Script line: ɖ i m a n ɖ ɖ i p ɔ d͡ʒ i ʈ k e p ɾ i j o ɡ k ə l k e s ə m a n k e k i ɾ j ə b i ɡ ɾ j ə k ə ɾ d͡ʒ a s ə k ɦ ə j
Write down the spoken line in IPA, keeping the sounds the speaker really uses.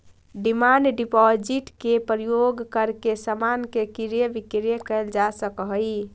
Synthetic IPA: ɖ i m a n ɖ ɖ i p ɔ d͡ʒ i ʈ k e p ɾ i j o ɡ k ə ɾ k e s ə m a n k e k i ɾ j ə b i k ɾ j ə k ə l d͡ʒ a s ə k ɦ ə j